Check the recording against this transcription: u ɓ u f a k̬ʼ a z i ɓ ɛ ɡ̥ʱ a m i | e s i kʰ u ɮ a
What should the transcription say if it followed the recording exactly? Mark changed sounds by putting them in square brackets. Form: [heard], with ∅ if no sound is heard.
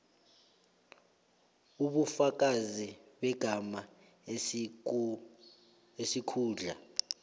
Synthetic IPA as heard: u ɓ u f a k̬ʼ a z i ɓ ɛ ɡ̥ʱ a m [a] | e s i kʰ [uː] ɮ a